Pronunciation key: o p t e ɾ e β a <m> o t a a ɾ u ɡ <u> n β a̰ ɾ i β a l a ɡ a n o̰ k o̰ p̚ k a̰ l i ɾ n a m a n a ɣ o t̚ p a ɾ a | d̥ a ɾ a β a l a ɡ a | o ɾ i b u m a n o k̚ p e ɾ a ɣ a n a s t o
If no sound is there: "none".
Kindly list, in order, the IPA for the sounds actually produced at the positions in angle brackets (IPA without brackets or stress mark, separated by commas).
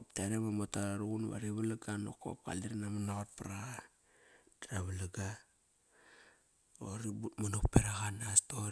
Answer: m, u